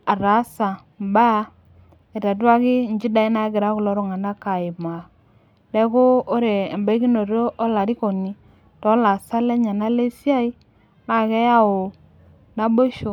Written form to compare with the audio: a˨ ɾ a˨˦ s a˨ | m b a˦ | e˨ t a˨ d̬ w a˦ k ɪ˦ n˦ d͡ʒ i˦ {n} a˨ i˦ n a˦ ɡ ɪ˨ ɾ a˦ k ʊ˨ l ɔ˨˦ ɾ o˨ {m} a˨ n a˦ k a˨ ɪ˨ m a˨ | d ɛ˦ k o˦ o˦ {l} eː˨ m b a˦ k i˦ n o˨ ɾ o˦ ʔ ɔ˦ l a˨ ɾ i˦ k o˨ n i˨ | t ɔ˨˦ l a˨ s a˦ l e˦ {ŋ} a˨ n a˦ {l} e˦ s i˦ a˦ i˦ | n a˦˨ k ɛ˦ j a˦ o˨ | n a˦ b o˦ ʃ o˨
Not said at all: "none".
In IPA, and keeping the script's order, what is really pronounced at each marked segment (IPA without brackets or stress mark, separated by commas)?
d, ŋ, ɾ, ɲ, l